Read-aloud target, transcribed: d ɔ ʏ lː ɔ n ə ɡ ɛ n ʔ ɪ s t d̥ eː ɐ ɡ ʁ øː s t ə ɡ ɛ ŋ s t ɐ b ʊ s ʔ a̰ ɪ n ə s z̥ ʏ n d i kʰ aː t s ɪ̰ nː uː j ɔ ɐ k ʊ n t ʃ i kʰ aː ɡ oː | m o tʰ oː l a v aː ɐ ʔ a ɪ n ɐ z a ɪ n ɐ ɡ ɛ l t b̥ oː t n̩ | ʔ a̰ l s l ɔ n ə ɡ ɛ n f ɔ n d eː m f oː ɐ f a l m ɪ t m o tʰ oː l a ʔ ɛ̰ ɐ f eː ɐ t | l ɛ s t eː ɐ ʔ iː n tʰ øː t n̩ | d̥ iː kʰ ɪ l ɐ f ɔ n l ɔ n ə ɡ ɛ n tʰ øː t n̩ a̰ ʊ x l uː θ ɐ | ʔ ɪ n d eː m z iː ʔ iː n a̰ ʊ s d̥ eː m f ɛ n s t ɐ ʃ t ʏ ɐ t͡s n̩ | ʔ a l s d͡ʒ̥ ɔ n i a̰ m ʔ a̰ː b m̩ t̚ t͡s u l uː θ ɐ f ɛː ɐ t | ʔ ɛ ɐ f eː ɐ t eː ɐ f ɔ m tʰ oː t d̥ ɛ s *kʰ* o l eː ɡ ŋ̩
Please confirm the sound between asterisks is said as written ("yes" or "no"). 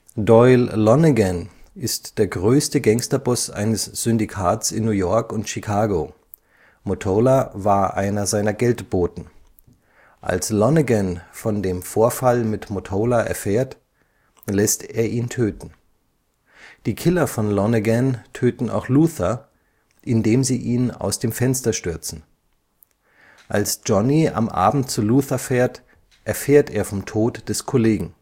yes